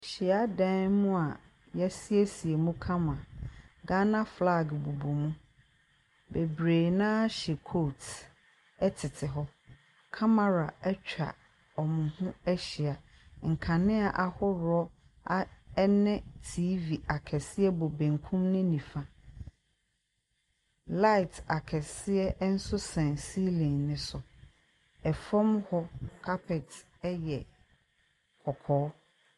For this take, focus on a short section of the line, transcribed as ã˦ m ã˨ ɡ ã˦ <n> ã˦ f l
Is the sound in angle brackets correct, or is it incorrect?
correct